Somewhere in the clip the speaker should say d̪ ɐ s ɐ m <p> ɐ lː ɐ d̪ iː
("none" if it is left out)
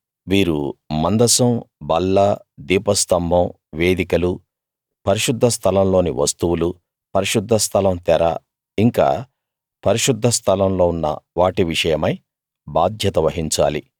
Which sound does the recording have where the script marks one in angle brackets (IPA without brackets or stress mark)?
b